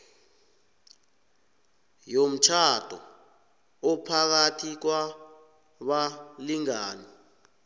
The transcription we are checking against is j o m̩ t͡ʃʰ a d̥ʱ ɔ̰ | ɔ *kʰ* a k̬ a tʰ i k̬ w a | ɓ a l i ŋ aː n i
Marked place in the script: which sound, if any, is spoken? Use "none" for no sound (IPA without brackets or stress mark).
pʰ